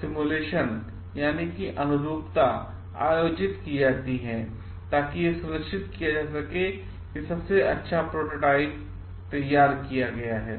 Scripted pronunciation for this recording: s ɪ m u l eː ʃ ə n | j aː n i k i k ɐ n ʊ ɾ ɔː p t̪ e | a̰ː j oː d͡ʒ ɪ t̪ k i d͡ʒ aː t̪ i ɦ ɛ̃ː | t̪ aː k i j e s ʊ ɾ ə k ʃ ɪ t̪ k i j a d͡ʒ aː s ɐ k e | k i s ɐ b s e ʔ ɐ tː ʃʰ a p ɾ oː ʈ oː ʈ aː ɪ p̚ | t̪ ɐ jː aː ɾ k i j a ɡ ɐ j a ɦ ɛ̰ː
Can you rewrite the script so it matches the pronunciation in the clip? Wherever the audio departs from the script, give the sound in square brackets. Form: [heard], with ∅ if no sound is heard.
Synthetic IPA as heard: s ɪ m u l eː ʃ ə n | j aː n i k i [ʔ] ɐ n ʊ ɾ [uː] p t̪ [a] | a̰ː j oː d͡ʒ ɪ t̪ k i d͡ʒ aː t̪ i ɦ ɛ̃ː | t̪ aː k i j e s ʊ ɾ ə k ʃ ɪ t̪ k i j a d͡ʒ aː s ɐ k e | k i s ɐ b s e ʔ ɐ tː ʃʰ a p ɾ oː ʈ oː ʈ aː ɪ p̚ | t̪ ɐ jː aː ɾ k i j a ɡ ɐ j a ɦ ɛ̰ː

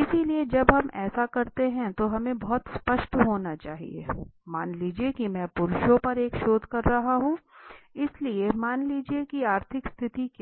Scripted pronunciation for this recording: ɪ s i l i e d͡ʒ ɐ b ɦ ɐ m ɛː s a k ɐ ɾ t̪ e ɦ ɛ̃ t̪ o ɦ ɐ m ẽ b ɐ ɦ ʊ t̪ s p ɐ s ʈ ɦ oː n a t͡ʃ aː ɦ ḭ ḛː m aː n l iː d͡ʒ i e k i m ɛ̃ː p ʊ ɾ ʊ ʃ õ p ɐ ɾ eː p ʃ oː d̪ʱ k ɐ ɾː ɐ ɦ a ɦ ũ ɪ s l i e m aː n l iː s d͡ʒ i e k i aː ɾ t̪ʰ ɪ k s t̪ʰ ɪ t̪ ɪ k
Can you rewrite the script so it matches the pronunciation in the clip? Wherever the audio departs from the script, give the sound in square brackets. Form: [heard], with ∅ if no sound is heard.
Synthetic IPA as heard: ɪ s i l i e d͡ʒ ɐ b ɦ ɐ m ɛː s a k ɐ ɾ t̪ e ɦ ɛ̃ t̪ o ɦ ɐ m ẽ b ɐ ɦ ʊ t̪ s p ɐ [ʃ] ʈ ɦ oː n a t͡ʃ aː ɦ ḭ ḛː m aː n l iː d͡ʒ i e k i m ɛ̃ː p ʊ ɾ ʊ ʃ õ p ɐ ɾ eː [k] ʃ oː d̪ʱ k ɐ ɾː ɐ ɦ a ɦ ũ ɪ s l i e m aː n l iː [∅] d͡ʒ i e k i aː ɾ t̪ʰ ɪ k s t̪ʰ ɪ t̪ [i] k

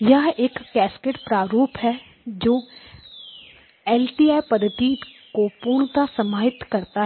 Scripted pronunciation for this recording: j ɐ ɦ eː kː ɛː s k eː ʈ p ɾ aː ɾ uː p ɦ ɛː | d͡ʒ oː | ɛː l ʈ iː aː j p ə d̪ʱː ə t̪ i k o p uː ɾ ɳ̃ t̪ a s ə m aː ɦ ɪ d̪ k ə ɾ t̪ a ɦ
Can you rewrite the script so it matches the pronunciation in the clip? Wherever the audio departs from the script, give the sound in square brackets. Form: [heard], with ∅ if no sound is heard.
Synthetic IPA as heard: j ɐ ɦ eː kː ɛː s k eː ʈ p ɾ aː ɾ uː p ɦ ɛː | d͡ʒ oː | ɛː l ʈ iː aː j p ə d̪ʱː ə t̪ i k o p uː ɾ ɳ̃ t̪ a s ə m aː ɦ ɪ [t̪] k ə ɾ t̪ a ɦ

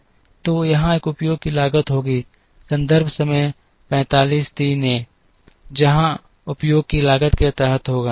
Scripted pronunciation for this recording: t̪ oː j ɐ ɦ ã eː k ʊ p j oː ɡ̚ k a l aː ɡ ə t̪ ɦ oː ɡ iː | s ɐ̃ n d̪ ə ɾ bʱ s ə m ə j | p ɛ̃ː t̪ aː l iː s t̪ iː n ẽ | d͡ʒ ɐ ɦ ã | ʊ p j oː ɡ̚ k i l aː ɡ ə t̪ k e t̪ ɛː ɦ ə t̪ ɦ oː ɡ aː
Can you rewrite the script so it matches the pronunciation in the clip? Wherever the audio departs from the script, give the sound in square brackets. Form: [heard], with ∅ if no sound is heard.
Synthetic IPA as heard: t̪ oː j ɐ ɦ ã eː k ʊ p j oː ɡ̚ k [i] l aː ɡ ə t̪ ɦ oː ɡ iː | s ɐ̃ n d̪ ə ɾ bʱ s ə m ə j | p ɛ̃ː t̪ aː l iː s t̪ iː n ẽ | d͡ʒ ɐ ɦ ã | ʊ p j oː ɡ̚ k i l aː ɡ ə t̪ k e t̪ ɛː ɦ ə t̪ ɦ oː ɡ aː

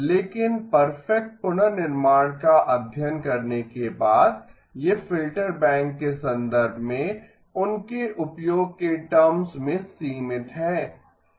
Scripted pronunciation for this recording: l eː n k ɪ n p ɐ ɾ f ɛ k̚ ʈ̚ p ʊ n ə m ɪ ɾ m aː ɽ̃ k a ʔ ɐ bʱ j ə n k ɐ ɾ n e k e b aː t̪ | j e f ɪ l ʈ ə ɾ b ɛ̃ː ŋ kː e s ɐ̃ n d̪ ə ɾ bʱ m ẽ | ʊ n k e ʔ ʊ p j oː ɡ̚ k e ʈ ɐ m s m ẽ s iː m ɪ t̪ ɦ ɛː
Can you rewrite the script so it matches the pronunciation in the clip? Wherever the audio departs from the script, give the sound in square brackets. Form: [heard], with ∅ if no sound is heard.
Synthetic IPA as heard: l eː [∅] k ɪ n p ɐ ɾ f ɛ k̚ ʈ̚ p ʊ n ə [n] ɪ ɾ m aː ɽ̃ k a ʔ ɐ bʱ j ə n k ɐ ɾ n e k e b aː [d̪] | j e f ɪ l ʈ ə ɾ b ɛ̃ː ŋ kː e s ɐ̃ n d̪ ə ɾ bʱ m ẽ | ʊ n k e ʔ ʊ p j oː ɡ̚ k e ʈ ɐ m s m ẽ s iː m ɪ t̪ ɦ ɛː

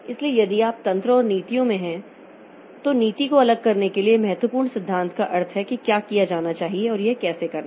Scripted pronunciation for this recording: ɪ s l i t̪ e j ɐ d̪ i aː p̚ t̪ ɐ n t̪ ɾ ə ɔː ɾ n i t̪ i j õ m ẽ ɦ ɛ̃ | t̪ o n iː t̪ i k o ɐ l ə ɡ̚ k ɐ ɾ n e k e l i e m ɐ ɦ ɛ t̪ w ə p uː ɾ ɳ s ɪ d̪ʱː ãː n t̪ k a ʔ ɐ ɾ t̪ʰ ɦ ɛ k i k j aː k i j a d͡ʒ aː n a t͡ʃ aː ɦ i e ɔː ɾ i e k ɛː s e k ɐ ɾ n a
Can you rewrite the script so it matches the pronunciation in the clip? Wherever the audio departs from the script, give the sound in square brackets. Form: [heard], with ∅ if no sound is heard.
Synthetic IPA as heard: ɪ s l i [∅] e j ɐ d̪ i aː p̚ t̪ [ɐ̃] n t̪ ɾ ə ɔː ɾ n [iː] t̪ i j õ m ẽ ɦ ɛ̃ | t̪ o n iː t̪ i k o ɐ l ə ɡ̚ k ɐ ɾ n e k e l i e m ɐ ɦ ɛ t̪ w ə p uː ɾ ɳ s ɪ d̪ʱː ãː n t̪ k a ʔ ɐ ɾ t̪ʰ ɦ ɛ k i k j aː k i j a d͡ʒ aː n a t͡ʃ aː ɦ i e ɔː ɾ [j] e k ɛː s e k ɐ ɾ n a

